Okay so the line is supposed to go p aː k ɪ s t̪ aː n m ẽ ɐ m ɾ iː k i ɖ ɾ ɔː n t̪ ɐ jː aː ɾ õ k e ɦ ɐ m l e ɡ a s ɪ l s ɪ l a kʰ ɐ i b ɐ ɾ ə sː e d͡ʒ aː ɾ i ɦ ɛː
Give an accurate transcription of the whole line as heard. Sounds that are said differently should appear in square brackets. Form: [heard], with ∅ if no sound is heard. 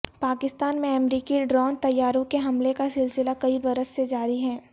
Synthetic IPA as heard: p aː k ɪ s t̪ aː n m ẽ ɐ m ɾ iː k i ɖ ɾ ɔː n t̪ ɐ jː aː ɾ õ k e ɦ ɐ m l e [k] a s ɪ l s ɪ l a [k] ɐ i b ɐ ɾ ə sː e d͡ʒ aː ɾ i ɦ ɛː